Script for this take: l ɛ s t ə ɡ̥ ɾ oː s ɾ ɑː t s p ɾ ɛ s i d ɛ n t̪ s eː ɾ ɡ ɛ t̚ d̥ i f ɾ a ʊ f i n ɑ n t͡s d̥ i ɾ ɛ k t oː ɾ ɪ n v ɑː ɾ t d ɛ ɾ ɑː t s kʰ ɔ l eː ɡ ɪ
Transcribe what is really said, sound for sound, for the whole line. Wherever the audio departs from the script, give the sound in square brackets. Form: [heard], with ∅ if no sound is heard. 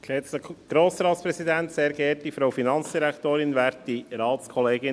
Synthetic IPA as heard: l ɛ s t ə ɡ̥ ɾ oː s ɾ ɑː t s p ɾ ɛ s i d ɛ n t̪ s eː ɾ ɡ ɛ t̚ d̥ i f ɾ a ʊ f i n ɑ n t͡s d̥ i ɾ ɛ k t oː ɾ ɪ n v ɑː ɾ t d [i] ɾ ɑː t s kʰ ɔ l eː ɡ ɪ